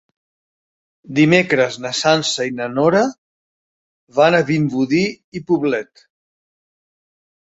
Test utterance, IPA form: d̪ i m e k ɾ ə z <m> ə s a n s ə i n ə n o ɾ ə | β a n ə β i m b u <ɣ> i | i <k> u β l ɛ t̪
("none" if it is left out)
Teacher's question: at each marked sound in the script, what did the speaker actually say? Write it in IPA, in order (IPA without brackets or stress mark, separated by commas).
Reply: n, ð, p